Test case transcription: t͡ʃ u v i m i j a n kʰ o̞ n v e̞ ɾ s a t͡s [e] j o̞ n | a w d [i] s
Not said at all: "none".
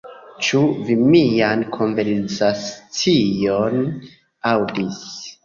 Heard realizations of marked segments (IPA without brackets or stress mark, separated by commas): i, i